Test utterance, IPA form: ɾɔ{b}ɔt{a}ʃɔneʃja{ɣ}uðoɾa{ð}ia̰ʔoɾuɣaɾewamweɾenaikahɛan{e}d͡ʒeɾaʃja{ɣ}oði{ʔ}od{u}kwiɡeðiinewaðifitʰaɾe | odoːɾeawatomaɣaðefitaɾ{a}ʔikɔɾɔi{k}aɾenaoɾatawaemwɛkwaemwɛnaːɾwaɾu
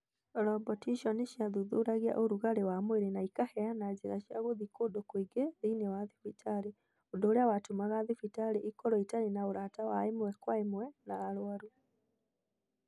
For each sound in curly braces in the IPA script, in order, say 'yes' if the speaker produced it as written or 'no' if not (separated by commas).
yes, no, no, no, no, yes, no, no, no, no